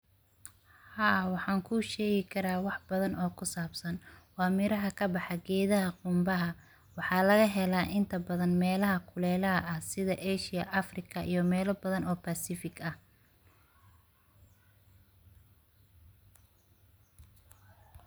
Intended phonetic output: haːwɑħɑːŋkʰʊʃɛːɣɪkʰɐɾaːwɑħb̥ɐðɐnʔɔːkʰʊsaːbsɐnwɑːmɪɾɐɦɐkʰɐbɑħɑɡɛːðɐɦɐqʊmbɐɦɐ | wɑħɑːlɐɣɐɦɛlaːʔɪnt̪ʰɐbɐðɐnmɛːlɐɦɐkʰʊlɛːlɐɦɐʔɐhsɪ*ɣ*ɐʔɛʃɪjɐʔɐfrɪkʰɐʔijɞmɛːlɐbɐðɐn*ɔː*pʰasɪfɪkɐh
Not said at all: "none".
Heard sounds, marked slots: ð, ɔː

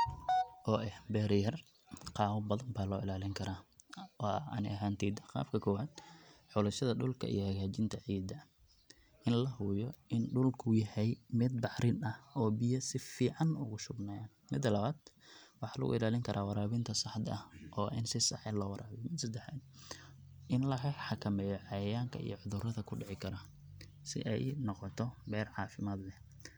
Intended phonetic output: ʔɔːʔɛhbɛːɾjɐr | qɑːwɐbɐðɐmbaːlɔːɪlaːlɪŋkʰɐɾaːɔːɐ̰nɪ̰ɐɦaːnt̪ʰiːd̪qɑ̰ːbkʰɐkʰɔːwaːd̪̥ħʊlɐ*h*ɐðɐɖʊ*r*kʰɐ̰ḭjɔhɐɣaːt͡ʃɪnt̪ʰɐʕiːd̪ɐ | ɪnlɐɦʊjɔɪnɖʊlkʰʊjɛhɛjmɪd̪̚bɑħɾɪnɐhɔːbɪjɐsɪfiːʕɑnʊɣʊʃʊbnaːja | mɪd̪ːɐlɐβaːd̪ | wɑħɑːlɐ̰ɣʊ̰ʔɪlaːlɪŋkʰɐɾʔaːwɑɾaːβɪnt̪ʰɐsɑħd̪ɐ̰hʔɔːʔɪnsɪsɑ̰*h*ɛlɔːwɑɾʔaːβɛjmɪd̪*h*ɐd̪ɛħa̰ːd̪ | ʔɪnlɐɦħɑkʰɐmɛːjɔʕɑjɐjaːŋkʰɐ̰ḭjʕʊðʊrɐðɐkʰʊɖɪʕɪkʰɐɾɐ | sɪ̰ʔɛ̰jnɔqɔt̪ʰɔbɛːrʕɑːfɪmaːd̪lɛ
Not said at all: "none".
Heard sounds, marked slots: ʃ, l, ħ, s

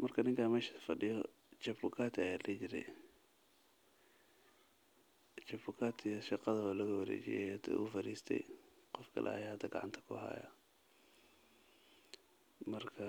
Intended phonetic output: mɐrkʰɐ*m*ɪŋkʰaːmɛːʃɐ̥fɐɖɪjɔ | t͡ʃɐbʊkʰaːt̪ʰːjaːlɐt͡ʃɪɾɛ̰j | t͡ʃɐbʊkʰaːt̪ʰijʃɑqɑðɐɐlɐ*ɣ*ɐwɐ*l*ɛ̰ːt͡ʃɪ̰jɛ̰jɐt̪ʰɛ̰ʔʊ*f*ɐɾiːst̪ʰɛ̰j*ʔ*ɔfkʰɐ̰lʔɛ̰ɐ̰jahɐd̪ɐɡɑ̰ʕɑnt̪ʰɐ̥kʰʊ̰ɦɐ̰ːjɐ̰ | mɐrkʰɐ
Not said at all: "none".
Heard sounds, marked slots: n, ɣ, ɾ, f, q

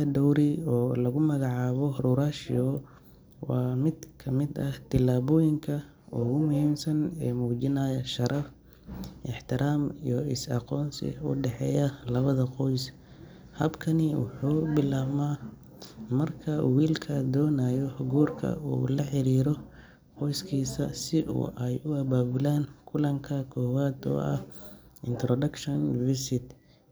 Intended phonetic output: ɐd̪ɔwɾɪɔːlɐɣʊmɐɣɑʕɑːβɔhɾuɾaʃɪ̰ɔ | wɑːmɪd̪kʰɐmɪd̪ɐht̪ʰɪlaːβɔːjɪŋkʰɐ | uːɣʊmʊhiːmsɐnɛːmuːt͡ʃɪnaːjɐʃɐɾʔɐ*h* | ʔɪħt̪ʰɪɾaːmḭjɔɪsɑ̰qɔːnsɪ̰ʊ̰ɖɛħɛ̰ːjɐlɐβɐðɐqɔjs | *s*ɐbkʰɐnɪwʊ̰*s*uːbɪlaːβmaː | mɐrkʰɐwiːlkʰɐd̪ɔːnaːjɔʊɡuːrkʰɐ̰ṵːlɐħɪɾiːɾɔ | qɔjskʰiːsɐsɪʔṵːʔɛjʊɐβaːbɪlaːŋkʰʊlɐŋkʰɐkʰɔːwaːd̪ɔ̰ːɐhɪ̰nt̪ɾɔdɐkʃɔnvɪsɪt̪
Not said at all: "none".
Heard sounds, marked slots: f, h, ħ

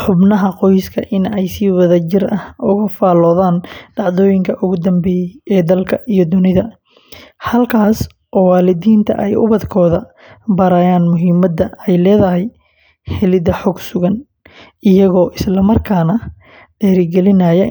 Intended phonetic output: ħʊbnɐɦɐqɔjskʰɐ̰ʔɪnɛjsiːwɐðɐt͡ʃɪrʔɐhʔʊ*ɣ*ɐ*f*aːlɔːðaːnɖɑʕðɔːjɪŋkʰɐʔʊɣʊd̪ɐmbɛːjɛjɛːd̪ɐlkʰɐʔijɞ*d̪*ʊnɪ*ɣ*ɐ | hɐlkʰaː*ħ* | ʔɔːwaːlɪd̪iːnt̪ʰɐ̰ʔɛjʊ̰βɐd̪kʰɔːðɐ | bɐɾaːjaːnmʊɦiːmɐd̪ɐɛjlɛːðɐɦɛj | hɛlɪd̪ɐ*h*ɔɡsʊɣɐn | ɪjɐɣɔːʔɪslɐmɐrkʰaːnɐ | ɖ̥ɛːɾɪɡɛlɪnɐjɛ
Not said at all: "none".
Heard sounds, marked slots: ɣ, f, d̪, ð, s, ħ

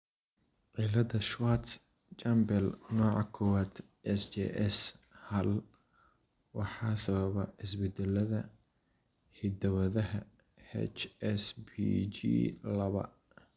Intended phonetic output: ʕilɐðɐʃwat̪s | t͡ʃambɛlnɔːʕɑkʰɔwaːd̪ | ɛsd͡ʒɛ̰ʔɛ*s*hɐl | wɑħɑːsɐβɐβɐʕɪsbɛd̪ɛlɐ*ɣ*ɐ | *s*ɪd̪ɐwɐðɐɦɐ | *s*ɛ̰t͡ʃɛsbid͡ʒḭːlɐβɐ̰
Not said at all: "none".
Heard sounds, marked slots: s, ð, h, h

